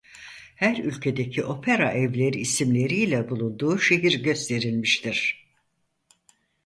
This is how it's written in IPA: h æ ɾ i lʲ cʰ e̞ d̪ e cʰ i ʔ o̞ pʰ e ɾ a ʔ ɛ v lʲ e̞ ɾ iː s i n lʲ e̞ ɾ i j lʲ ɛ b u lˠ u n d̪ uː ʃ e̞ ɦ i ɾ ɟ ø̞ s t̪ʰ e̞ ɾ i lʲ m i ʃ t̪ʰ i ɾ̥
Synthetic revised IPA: h æ ɾ y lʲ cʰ e̞ d̪ e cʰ i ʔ o̞ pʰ e ɾ a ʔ ɛ v lʲ e̞ ɾ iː s i m lʲ e̞ ɾ i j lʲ ɛ b u lˠ u n d̪ uː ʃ e̞ ɦ i ɾ ɟ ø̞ s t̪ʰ e̞ ɾ i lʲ m i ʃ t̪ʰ i ɾ̥

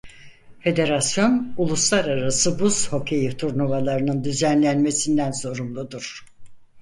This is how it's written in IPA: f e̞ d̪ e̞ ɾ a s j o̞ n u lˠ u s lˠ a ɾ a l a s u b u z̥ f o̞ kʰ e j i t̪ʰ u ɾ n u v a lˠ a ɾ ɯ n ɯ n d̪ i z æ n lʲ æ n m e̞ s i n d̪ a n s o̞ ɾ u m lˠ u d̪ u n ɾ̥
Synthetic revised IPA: f e̞ d̪ e̞ ɾ a s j o̞ n u lˠ u s lˠ a ɾ a ɾ a s ɯ b u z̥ h o̞ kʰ e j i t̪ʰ u ɾ n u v a lˠ a ɾ ɯ n ɯ n d̪ y z æ n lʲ æ n m e̞ s i n d̪ æ n s o̞ ɾ u m lˠ u d̪ u ɾ̥

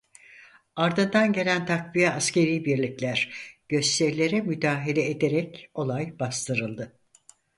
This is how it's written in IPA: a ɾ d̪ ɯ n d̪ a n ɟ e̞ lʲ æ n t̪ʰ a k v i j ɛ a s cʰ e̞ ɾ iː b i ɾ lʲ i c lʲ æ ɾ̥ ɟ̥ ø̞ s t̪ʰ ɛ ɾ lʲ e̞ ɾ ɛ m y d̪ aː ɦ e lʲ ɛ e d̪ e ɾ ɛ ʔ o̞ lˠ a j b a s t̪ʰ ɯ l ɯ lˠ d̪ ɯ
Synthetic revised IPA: a ɾ d̪ ɯ n d̪ a n ɟ e̞ lʲ æ n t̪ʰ a k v i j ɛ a s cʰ e̞ ɾ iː b i ɾ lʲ i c lʲ æ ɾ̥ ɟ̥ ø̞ s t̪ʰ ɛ ɾ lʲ e̞ ɾ ɛ m y d̪ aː ɦ e lʲ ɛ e d̪ e ɾ ɛ c o̞ lˠ a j b a s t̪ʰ ɯ ɾ ɯ lˠ d̪ ɯ

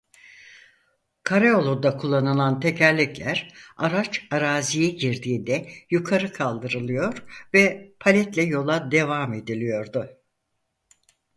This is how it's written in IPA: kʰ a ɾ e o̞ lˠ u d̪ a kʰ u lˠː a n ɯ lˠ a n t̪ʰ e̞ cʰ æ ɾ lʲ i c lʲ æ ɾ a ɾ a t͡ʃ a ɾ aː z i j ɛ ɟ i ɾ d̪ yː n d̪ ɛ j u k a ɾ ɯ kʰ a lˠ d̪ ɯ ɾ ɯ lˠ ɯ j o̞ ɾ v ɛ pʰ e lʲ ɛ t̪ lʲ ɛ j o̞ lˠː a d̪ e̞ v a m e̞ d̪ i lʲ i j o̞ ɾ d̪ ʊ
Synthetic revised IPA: kʰ a ɾ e o̞ lˠ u d̪ a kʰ u lˠː a n ɯ lˠ a n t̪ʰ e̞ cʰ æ ɾ lʲ i c lʲ æ ɾ a ɾ a t͡ʃ a ɾ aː z i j ɛ ɟ i ɾ d̪ iː n d̪ ɛ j u kʰ a ɾ ɯ kʰ a lˠ d̪ ɯ ɾ ɯ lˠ ɯ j o̞ ɾ v ɛ pʰ a lʲ ɛ t̪ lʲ ɛ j o̞ lˠ a d̪ e̞ v a m e̞ d̪ i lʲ i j o̞ ɾ d̪ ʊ

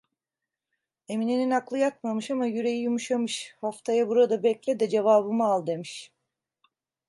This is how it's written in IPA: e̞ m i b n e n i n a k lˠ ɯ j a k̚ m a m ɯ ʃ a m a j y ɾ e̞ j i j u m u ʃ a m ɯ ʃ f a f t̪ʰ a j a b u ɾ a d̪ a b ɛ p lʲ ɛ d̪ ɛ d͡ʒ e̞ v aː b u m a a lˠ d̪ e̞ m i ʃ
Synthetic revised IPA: e̞ m i n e n i n a k lˠ ɯ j a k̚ m a m ɯ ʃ a m a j y ɾ e̞ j i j u m u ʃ a m ɯ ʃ h a f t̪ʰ a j a b u ɾ a d̪ a b ɛ c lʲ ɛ d̪ ɛ d͡ʒ e̞ v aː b ɯ m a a lˠ d̪ e̞ m i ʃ

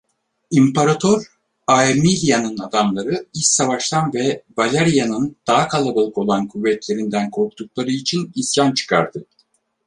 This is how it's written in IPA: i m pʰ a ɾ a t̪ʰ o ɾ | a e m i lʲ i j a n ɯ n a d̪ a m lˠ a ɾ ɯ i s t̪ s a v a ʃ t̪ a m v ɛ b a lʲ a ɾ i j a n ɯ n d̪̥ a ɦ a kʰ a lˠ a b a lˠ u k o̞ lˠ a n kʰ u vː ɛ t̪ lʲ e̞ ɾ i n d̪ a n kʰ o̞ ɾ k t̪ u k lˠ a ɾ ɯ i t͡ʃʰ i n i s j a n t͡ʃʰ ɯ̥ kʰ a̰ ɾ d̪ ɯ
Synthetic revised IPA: i m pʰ a ɾ a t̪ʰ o ɾ | a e m i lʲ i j a n ɯ n a d̪ a m lˠ a ɾ ɯ i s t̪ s a v a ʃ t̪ a n v ɛ b a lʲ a ɾ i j a n ɯ n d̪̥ a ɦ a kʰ a lˠ a b a lˠ ɯ k o̞ lˠ a n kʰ u vː ɛ t̪ lʲ e̞ ɾ i n d̪ æ n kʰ o̞ ɾ k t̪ u k lˠ a ɾ ɯ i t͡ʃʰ i n i s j a n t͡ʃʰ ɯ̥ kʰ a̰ ɾ d̪ ɯ

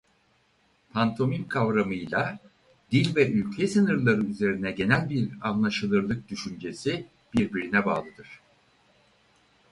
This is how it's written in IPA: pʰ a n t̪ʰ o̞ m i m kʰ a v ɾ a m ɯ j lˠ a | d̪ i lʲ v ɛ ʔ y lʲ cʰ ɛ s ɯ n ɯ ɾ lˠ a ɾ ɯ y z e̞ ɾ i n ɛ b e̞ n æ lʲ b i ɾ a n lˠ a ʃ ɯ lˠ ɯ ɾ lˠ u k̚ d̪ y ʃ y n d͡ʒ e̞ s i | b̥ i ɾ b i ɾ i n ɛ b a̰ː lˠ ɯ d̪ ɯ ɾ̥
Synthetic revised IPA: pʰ a n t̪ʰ o̞ m i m kʰ a v ɾ a m ɯ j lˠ a | d̪ i lʲ v ɛ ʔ y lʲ cʰ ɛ s ɯ n ɯ ɾ lˠ a ɾ ɯ y z e̞ ɾ i n ɛ ɟ e̞ n æ lʲ b i ɾ a n lˠ a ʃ ɯ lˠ ɯ ɾ lˠ ɯ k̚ d̪ y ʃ y n d͡ʒ e̞ s i | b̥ i ɾ b i ɾ i n ɛ b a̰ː lˠ ɯ d̪ ɯ ɾ̥

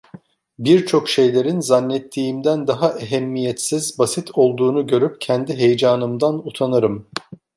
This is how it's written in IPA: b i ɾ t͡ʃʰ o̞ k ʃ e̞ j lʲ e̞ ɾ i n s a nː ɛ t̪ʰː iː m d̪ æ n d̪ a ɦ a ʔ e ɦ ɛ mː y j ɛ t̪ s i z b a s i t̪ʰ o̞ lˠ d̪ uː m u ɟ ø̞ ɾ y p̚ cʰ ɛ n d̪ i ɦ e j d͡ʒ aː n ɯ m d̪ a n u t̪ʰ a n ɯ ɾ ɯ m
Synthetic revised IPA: b i ɾ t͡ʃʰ o̞ k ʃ e̞ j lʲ e̞ ɾ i n z a nː ɛ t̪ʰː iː m d̪ æ n d̪ a ɦ a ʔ e ɦ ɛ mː i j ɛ t̪ s i z b a s i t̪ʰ o̞ lˠ d̪ uː n u ɟ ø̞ ɾ y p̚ cʰ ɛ n d̪ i ɦ e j d͡ʒ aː n ɯ m d̪ a n u t̪ʰ a n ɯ ɾ ɯ m

